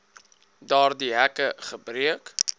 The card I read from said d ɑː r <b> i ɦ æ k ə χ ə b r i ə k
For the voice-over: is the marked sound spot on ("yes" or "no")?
no